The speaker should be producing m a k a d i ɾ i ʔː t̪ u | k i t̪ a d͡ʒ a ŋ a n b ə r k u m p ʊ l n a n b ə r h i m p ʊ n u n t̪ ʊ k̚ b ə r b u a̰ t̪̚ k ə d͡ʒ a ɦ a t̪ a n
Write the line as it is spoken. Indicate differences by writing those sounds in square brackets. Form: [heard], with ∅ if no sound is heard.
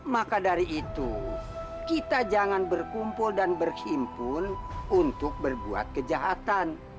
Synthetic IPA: m a k a d [a] ɾ i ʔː t̪ u | k i t̪ a d͡ʒ a ŋ a n b ə r k u m p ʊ l [d] a n b ə r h i m p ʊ n u n t̪ ʊ k̚ b ə r b u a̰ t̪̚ k ə d͡ʒ a ɦ a t̪ a n